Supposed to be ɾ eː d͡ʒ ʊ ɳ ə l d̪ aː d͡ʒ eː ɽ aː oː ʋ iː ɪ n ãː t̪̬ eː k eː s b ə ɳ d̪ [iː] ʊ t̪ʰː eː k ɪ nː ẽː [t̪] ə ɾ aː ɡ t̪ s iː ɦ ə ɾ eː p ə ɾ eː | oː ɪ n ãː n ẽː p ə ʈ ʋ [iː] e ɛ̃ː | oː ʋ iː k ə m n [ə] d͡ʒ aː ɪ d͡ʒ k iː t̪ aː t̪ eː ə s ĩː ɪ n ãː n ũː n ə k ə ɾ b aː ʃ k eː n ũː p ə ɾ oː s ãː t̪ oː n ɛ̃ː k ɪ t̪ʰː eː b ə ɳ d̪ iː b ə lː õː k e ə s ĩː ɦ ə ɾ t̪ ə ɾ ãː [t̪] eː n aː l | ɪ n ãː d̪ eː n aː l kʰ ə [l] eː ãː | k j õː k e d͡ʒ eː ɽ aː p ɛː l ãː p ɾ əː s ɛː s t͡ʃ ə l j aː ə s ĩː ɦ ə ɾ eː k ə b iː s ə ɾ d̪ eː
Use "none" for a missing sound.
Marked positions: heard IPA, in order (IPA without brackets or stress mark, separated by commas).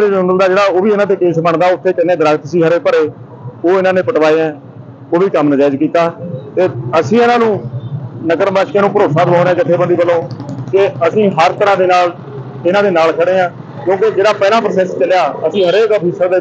aː, d̪, aː, ə, d̪, ɽ